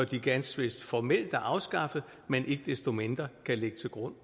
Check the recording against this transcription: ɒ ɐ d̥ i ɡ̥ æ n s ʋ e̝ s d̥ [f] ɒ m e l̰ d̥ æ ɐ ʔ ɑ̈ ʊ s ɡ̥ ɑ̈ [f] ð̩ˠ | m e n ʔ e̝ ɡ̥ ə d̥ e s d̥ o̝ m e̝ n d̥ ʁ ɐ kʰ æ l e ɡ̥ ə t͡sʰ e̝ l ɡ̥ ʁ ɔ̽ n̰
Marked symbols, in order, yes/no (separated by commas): yes, yes